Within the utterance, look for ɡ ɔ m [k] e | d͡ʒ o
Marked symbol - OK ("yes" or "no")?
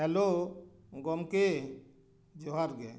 yes